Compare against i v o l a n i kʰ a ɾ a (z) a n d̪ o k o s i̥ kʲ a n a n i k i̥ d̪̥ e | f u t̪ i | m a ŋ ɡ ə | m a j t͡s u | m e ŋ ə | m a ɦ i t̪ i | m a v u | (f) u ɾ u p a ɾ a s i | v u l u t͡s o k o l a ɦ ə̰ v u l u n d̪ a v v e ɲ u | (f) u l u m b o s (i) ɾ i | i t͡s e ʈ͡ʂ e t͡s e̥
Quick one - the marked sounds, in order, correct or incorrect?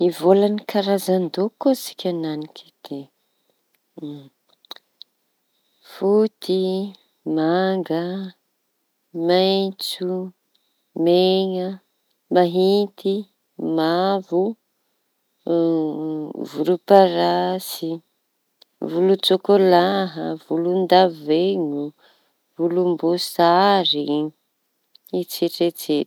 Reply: correct, incorrect: v, incorrect: v, incorrect: a

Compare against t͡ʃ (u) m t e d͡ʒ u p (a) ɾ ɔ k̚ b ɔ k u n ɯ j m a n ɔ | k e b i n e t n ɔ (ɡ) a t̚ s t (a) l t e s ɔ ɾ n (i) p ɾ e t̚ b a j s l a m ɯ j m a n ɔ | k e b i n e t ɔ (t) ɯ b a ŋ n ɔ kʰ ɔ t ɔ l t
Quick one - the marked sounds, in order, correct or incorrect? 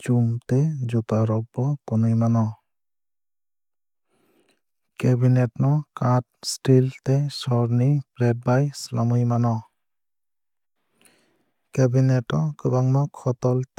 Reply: correct, correct, incorrect: k, incorrect: i, correct, incorrect: k

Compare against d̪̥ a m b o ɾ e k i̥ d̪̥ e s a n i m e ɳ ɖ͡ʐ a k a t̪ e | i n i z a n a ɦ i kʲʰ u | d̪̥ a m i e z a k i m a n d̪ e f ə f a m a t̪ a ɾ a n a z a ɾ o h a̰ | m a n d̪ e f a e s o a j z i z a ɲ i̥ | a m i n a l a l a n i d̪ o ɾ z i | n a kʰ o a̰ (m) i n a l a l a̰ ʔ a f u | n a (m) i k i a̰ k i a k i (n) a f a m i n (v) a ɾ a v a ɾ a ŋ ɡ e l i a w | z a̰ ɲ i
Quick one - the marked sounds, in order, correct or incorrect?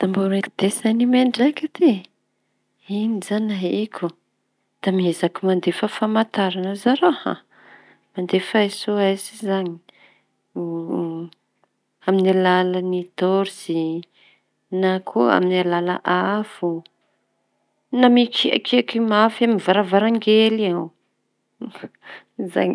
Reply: correct, correct, incorrect: m, correct

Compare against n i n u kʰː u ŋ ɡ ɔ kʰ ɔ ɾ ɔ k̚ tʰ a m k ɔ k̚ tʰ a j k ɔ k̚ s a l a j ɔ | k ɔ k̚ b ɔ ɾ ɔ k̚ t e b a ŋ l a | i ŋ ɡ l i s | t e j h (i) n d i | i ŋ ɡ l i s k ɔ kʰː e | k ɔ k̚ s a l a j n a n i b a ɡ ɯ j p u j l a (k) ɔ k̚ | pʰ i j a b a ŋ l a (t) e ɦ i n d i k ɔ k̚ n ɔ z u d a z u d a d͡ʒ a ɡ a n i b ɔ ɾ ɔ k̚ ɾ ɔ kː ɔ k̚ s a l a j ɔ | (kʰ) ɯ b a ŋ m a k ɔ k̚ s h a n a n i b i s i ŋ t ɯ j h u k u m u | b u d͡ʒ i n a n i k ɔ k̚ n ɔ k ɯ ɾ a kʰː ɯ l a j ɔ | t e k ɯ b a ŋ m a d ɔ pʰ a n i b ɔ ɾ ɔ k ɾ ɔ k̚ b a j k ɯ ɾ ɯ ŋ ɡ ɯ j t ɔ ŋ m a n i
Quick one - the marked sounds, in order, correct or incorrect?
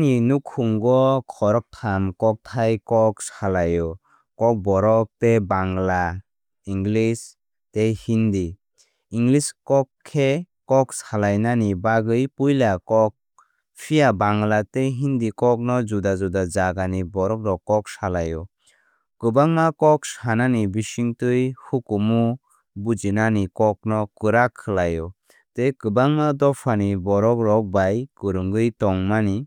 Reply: correct, correct, correct, incorrect: k

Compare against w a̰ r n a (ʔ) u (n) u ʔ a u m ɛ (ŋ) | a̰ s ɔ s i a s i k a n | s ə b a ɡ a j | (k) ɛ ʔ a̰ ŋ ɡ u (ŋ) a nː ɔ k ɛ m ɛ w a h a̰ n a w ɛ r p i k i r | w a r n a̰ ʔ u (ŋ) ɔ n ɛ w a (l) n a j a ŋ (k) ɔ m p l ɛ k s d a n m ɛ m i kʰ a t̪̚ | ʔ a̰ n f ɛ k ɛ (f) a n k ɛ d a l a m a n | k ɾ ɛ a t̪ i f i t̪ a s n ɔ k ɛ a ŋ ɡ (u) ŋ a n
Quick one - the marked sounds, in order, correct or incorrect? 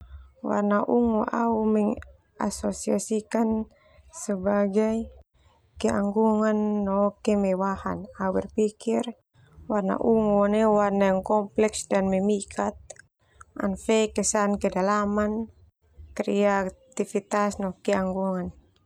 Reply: correct, incorrect: ŋ, correct, correct, correct, correct, incorrect: r, correct, incorrect: s, correct

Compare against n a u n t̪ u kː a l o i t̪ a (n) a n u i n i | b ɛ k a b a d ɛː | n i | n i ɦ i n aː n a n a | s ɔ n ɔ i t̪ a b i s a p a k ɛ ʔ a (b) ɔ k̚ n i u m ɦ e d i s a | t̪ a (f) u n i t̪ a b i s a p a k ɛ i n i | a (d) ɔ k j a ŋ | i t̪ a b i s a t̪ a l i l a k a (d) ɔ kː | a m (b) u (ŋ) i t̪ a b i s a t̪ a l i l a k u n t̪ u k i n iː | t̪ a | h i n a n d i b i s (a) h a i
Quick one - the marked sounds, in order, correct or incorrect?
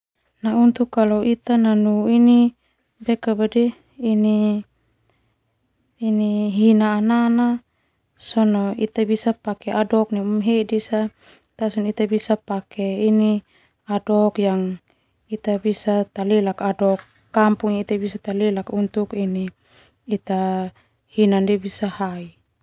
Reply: correct, incorrect: d, incorrect: s, correct, correct, incorrect: p, correct, correct

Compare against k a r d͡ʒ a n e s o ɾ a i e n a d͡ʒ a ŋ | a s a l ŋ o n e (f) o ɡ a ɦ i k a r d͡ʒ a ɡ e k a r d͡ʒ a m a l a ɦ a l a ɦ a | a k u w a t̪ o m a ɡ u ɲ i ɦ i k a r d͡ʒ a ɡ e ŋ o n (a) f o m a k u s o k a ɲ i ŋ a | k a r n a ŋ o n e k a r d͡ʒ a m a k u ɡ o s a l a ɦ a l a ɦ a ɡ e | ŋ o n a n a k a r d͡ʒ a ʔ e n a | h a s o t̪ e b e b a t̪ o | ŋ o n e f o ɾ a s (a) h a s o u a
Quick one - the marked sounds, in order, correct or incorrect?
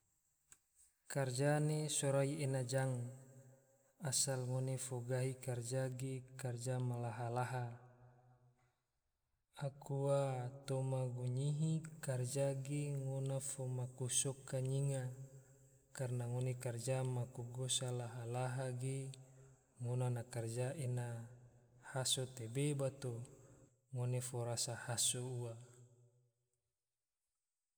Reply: correct, correct, correct

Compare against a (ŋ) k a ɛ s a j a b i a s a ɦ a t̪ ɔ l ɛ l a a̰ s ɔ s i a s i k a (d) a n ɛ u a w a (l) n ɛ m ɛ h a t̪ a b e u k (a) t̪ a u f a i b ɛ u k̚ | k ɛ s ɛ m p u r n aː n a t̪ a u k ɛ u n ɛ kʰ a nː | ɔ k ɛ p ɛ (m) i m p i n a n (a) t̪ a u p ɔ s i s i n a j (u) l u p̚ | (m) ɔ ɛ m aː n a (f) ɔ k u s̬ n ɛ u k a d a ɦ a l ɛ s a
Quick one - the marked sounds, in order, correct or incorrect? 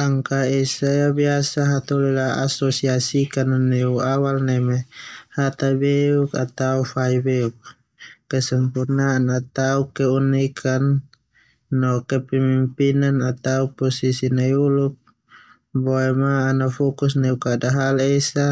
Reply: correct, incorrect: n, correct, correct, correct, correct, correct, incorrect: b, correct

